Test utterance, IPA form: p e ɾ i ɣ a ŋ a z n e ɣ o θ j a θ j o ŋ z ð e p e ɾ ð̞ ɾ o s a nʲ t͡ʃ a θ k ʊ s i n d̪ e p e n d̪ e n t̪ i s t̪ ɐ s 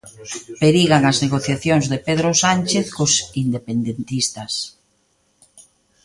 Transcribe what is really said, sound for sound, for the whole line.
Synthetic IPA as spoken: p e ɾ i ɣ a ŋ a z n e ɣ o θ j a θ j o ŋ z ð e p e ð̞ ɾ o s a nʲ t͡ʃ e θ k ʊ s i n d̪ e p e n d̪ e n t̪ i s t̪ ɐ s